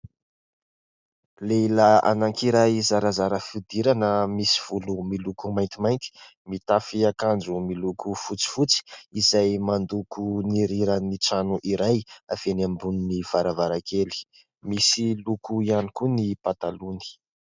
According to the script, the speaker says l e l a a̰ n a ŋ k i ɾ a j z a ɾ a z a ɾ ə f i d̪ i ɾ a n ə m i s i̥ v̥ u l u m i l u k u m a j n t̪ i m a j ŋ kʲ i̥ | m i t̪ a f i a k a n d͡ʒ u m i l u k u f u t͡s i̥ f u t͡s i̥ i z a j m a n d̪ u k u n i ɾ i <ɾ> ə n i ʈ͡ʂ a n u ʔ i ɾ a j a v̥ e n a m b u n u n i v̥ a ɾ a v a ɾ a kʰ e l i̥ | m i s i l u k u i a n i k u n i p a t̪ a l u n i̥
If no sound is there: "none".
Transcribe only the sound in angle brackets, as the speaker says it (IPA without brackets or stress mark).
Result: ɾ